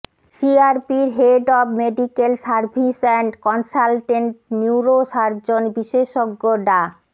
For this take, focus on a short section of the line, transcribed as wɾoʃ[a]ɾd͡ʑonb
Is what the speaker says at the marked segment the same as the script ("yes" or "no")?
yes